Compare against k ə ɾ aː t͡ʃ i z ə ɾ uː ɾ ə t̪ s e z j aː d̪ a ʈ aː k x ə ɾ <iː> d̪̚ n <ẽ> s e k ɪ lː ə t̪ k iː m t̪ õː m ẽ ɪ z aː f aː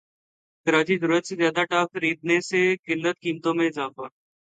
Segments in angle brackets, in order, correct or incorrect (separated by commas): correct, incorrect